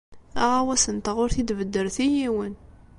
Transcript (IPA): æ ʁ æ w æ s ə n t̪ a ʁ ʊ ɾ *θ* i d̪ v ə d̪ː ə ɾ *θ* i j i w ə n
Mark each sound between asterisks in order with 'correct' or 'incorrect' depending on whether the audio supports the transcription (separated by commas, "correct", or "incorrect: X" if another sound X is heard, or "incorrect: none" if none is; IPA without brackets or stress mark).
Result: correct, correct